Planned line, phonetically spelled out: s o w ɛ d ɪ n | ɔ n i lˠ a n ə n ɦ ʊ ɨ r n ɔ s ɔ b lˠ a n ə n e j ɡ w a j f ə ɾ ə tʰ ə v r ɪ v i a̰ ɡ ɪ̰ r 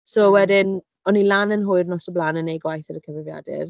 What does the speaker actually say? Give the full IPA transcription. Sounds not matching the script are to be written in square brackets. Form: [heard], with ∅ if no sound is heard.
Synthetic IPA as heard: s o w ɛ d ɪ n | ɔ n i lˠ a n ə n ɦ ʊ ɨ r n ɔ s ɔ b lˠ a n ə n e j ɡ w a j [θ] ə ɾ ə [kʰ] ə v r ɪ v [j] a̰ [d] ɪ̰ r

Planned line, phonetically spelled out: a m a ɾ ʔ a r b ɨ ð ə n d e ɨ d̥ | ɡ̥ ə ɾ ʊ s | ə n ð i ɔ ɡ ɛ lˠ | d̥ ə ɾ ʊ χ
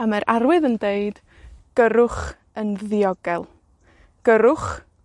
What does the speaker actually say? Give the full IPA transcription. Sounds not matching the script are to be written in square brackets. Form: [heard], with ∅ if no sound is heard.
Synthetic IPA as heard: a m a ɾ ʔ a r [w] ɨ ð ə n d e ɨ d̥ | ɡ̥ ə ɾ ʊ [χ] | ə n ð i ɔ ɡ ɛ lˠ | [ɡ̥] ə ɾ ʊ χ

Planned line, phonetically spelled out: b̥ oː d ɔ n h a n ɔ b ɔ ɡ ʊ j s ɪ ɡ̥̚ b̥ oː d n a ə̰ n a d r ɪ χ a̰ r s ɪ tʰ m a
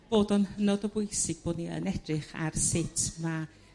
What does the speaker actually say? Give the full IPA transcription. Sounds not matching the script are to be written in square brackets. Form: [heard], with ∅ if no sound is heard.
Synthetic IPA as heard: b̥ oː d ɔ n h [ə] n ɔ [d] ɔ [b] ʊ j s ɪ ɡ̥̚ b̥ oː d n [i] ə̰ n [ɛ] d r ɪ χ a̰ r s ɪ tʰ m a

